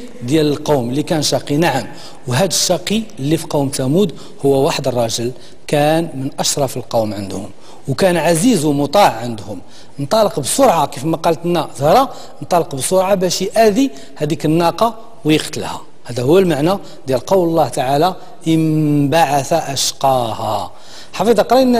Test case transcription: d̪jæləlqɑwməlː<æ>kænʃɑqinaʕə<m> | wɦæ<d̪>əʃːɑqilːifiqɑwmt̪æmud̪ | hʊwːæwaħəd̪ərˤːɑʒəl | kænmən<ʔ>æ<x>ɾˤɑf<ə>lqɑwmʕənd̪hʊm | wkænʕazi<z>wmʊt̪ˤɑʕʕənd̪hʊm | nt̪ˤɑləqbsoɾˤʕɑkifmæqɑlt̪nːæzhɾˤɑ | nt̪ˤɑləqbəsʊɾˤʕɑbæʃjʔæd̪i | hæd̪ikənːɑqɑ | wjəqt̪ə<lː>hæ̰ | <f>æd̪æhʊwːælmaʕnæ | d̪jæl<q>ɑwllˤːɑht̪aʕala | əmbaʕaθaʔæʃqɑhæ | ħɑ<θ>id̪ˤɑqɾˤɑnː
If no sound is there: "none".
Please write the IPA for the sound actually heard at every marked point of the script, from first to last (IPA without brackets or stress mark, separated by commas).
i, m, d̪, ʔ, ʃ, ə, z, l, h, q, f